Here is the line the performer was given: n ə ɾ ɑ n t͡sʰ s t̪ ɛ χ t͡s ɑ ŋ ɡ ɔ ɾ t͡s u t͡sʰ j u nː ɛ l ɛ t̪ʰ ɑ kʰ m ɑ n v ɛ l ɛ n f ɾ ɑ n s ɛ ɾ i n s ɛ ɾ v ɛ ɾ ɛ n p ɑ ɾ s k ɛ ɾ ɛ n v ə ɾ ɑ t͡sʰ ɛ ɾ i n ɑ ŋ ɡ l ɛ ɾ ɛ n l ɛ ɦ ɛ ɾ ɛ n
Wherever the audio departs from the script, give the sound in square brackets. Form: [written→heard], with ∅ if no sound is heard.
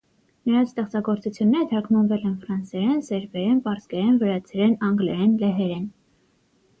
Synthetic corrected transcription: n ə ɾ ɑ n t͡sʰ s t̪ ɛ χ t͡s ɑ [ŋ→∅] ɡ ɔ ɾ t͡s u t͡sʰ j u nː ɛ [l→ɾ] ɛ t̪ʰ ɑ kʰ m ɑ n v ɛ l ɛ n f ɾ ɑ n s ɛ ɾ [i→ɛ] n s ɛ ɾ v ɛ ɾ ɛ n p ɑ ɾ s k ɛ ɾ ɛ n v ə ɾ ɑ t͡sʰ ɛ ɾ [i→ɛ] n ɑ ŋ ɡ l ɛ ɾ ɛ n l ɛ ɦ ɛ ɾ ɛ n